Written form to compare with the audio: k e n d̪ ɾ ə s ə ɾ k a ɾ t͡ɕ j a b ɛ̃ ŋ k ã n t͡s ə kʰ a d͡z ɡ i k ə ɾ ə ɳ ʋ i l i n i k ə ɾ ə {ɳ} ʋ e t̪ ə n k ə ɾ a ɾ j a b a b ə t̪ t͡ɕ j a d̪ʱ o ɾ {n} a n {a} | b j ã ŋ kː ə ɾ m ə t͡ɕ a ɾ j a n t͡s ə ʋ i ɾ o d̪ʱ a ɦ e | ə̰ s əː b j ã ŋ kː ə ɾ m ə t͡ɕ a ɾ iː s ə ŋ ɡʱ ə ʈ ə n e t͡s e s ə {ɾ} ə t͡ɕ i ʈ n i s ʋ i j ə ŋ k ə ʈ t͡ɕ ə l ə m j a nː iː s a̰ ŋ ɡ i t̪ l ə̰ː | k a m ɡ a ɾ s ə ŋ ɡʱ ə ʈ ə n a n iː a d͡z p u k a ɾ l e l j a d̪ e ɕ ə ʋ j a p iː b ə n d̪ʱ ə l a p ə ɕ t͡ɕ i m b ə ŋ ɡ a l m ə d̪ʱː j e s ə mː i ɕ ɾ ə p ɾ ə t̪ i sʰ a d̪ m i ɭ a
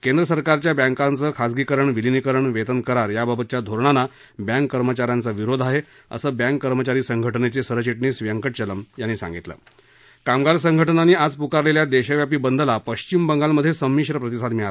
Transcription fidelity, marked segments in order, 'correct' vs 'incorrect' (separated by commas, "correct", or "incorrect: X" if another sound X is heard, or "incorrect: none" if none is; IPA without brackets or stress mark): correct, incorrect: ɳ, correct, correct